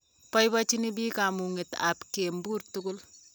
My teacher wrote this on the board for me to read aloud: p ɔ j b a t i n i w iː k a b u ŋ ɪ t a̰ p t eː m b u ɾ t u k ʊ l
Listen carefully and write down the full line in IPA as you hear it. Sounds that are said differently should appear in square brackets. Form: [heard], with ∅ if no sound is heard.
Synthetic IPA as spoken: p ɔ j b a [t͡ʃ] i n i [b] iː k a [m] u ŋ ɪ t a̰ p [k] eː m b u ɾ t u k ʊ l

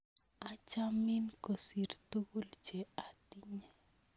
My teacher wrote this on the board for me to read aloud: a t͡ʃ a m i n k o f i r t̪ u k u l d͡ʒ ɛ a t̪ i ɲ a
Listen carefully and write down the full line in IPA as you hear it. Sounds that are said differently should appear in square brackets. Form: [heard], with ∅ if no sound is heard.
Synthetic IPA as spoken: a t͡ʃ a m i n k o [s] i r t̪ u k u l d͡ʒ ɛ a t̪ i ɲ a

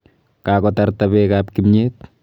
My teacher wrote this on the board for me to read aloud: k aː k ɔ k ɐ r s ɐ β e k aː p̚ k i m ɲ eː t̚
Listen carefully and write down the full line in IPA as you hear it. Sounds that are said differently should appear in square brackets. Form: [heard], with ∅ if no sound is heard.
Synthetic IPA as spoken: k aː k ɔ [t] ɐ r [t] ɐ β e k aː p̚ k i m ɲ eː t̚

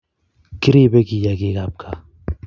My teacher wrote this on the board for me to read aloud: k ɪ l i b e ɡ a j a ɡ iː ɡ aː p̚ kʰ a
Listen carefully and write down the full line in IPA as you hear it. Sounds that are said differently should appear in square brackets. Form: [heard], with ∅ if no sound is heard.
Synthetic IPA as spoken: k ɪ [ɾ] i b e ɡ [i] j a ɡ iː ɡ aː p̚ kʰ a

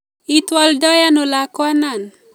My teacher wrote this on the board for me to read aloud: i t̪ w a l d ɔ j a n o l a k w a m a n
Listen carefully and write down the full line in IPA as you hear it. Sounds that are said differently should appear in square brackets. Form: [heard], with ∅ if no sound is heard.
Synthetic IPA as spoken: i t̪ w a l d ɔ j a n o l a k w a [n] a n

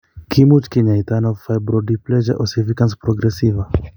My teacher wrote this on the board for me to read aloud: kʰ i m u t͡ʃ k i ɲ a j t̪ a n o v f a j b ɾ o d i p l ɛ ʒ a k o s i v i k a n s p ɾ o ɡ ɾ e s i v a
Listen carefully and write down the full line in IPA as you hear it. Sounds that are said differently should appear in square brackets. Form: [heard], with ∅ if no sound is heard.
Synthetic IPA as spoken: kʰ i m u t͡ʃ k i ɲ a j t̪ a n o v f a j b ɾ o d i p l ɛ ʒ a [ʔ] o s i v i k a n s p ɾ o ɡ ɾ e s i v a

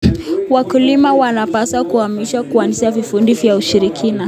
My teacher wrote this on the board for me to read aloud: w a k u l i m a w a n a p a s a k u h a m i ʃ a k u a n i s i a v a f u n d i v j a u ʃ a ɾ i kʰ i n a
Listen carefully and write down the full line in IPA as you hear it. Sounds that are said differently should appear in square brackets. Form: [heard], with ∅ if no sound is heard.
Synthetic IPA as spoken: w a k u l i m a w a n a p a s a k u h a m i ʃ a k u a n i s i a v [i] f u n d i v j a u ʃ [i] ɾ i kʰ i n a

